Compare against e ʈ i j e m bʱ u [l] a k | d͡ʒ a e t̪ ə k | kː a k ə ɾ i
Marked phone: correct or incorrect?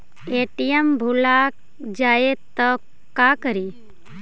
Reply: correct